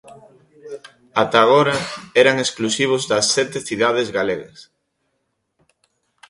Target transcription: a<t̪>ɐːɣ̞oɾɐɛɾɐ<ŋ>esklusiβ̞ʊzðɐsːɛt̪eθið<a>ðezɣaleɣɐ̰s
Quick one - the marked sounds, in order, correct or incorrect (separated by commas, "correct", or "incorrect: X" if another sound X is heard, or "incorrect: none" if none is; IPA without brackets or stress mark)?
correct, correct, correct